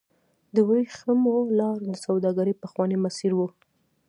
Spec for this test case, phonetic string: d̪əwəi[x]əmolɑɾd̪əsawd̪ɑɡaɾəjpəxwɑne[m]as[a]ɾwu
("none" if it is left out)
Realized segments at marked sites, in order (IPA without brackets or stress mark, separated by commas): x, m, i